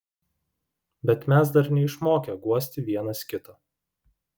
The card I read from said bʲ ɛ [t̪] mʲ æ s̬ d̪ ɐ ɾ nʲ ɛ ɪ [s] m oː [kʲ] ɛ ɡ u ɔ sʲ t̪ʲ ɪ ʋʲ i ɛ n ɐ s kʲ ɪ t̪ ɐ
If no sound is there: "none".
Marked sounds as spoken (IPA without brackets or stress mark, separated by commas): t̪, ʃ, kʲ